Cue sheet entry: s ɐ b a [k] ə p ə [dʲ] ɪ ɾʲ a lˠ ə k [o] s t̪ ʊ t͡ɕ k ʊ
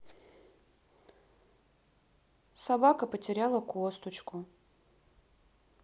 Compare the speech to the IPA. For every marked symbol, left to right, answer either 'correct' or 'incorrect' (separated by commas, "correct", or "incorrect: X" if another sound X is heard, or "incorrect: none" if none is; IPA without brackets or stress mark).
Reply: correct, incorrect: tʲ, correct